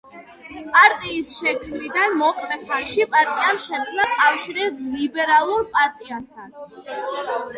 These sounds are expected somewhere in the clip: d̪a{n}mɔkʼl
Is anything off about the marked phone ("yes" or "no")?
no